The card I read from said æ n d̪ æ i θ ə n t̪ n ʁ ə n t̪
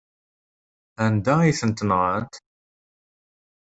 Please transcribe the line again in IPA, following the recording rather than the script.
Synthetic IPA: æ n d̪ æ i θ ə n t̪ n ʁ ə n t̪